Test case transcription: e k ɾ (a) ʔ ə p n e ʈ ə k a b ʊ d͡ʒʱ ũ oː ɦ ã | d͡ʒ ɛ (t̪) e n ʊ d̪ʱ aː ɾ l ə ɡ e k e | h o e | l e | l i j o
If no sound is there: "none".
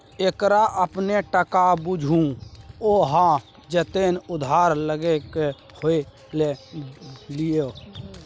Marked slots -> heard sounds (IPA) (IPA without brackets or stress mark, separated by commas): a, t̪